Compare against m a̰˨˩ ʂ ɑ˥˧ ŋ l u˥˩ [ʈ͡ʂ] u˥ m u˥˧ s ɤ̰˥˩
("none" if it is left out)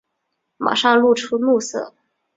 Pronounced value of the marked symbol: ʈ͡ʂʰ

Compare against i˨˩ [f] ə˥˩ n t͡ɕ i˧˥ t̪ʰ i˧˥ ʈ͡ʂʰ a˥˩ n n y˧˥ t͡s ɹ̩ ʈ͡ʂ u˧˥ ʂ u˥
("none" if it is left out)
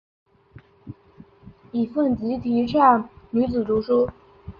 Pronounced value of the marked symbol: f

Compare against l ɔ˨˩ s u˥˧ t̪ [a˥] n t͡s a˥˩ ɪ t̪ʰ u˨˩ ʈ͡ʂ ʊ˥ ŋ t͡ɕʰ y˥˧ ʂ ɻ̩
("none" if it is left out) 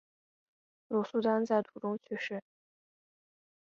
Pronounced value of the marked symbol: a˥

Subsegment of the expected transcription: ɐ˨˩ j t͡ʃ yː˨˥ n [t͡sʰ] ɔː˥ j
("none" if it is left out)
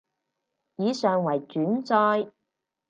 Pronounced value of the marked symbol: t͡s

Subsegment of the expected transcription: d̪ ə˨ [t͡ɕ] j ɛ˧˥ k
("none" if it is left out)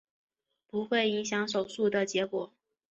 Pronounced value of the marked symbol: t͡ɕ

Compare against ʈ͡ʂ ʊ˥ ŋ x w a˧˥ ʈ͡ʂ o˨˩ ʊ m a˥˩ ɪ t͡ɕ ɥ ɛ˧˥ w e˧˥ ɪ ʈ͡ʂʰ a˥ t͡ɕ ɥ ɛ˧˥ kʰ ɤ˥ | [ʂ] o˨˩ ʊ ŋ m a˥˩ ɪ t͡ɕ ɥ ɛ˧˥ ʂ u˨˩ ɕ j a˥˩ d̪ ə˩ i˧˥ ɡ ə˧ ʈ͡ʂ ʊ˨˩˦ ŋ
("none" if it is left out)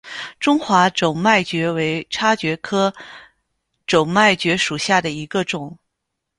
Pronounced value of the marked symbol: ʈ͡ʂ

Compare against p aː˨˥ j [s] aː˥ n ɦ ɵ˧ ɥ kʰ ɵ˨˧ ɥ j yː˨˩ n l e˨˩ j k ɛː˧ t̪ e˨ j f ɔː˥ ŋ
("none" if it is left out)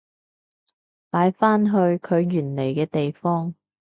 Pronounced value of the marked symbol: f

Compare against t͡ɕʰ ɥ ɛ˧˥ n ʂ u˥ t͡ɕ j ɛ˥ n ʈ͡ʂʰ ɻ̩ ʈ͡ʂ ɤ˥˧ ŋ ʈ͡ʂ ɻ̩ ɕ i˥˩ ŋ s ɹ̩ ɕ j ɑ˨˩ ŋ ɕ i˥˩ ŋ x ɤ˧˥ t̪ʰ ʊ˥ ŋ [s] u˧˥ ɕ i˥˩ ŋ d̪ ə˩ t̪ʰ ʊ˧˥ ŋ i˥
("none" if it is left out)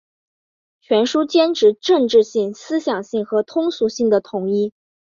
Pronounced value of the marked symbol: s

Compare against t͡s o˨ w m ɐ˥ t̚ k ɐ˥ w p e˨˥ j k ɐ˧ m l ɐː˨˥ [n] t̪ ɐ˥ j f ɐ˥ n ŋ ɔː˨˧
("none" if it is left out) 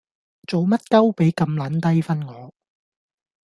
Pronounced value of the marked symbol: n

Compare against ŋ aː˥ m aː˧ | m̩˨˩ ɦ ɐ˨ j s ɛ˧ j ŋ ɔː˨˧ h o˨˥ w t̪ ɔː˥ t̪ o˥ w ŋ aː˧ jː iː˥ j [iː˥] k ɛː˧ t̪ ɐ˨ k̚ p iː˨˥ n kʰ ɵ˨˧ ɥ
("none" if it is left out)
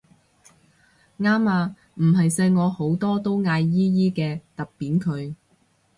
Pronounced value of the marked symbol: iː˥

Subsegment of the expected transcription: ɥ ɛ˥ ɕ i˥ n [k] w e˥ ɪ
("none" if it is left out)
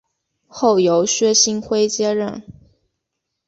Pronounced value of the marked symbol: x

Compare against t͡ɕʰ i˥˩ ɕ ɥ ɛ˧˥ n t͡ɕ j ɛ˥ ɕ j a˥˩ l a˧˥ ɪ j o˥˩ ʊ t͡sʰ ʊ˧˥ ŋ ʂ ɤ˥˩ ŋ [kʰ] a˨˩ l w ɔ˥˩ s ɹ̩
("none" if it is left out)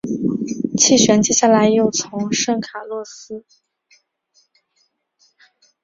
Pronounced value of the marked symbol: kʰ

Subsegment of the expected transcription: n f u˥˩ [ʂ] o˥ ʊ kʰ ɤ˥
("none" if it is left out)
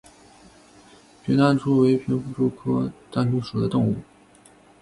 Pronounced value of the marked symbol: ʈ͡ʂ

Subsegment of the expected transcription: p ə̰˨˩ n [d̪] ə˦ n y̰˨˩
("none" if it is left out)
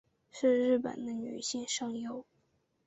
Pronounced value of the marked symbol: d̪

